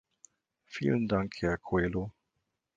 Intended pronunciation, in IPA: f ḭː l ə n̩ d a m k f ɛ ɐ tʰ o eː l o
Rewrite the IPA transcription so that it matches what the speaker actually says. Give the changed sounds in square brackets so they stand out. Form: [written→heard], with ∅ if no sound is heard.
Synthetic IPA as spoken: f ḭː l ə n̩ d a [m→ŋ] k [f→h] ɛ ɐ [tʰ→kʰ] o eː l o